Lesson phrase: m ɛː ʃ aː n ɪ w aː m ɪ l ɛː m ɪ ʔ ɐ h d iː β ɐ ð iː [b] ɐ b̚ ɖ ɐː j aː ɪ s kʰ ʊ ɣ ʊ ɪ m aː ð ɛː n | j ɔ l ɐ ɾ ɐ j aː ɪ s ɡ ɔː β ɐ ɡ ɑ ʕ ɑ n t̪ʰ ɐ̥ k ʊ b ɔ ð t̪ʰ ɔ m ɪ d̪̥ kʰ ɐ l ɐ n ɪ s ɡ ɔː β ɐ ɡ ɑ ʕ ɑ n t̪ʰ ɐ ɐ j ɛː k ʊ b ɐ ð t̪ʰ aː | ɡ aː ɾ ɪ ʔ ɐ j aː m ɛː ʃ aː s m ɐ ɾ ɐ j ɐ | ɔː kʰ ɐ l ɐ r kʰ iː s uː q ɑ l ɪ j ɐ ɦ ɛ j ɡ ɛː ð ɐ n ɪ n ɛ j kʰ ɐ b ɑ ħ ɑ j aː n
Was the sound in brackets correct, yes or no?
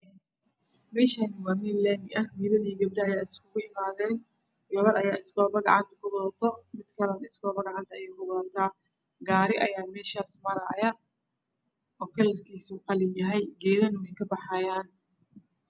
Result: no